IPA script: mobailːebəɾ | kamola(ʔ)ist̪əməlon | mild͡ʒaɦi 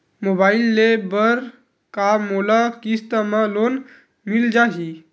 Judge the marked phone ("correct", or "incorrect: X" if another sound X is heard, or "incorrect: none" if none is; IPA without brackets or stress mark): incorrect: k